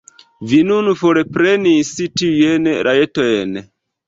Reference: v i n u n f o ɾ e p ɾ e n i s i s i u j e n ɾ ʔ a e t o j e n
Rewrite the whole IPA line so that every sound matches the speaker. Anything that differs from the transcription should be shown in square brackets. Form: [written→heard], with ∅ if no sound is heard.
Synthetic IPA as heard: v i n u n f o ɾ e p ɾ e n i s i [s→t] i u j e n ɾ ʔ a e t o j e n